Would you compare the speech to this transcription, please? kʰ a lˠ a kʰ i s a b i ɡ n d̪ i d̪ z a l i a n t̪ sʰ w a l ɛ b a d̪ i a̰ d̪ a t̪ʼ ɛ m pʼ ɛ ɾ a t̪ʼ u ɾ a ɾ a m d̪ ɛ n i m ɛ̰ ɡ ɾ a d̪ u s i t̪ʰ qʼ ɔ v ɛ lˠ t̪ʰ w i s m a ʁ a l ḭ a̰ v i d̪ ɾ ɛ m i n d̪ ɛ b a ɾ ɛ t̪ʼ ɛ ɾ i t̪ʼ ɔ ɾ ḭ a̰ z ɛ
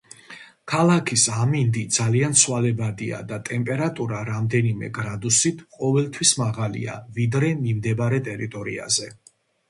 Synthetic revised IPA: kʰ a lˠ a kʰ i s a m i n d̪ i d̪ z a l i a n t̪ sʰ w a l ɛ b a d̪ i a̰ d̪ a t̪ʼ ɛ m pʼ ɛ ɾ a t̪ʼ u ɾ a ɾ a m d̪ ɛ n i m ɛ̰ ɡ ɾ a d̪ u s i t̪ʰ qʼ ɔ v ɛ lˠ t̪ʰ w i s m a ʁ a l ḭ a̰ v i d̪ ɾ ɛ m i m d̪ ɛ b a ɾ ɛ t̪ʼ ɛ ɾ i t̪ʼ ɔ ɾ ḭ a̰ z ɛ